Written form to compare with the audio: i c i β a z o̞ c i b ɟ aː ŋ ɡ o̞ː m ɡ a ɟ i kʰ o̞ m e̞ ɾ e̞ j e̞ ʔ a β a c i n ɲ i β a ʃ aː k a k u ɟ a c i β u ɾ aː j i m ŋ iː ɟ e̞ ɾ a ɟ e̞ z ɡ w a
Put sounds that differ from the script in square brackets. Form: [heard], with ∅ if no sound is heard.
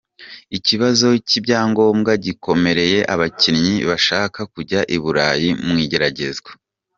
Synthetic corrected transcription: i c i β a z o̞ c i b ɟ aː ŋ ɡ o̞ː m ɡ a ɟ i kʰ o̞ m e̞ ɾ e̞ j e̞ ʔ a β a c i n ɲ i β a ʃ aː k a k u ɟ a [ʔ] i β u ɾ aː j i m ŋ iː ɟ e̞ ɾ a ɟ e̞ z ɡ w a